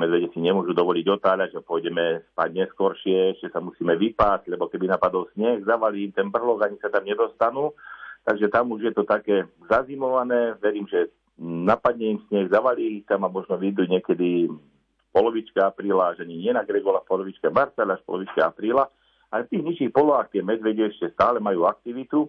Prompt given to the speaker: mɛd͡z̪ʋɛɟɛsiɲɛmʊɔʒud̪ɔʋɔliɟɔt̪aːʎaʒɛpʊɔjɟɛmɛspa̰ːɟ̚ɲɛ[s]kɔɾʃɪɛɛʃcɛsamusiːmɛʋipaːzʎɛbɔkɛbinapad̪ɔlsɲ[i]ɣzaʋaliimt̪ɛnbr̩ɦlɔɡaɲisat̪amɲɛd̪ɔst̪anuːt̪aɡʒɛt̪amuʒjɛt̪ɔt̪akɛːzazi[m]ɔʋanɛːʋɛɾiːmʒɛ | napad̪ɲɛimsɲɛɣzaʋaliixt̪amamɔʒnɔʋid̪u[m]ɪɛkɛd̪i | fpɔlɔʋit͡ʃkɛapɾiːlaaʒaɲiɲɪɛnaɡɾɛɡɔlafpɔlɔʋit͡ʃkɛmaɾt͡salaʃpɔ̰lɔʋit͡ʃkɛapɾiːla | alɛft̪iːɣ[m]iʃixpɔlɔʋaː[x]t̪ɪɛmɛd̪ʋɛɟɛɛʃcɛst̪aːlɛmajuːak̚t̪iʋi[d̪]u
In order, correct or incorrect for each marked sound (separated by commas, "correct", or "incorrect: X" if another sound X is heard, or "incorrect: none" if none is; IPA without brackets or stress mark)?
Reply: correct, incorrect: ɛ, correct, incorrect: ɲ, incorrect: ɲ, correct, incorrect: t̪